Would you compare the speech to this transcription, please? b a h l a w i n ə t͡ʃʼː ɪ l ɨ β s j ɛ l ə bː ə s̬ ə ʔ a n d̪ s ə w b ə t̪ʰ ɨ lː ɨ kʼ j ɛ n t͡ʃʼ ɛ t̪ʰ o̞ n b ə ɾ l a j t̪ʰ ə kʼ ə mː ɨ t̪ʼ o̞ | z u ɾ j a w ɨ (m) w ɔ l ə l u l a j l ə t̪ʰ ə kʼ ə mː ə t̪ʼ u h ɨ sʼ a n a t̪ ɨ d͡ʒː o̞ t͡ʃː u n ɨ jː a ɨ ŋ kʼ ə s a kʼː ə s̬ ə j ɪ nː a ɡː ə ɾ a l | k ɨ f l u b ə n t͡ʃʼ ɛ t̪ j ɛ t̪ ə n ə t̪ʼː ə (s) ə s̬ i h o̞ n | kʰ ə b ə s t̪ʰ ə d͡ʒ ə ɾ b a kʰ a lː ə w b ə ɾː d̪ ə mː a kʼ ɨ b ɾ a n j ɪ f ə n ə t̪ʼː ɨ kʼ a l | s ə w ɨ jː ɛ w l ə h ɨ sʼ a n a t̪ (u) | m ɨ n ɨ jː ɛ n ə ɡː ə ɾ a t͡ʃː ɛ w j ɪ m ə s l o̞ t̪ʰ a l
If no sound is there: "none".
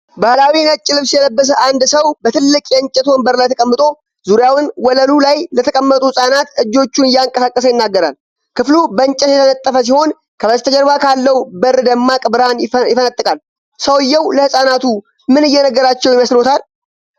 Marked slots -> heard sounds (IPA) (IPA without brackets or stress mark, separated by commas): n, f, u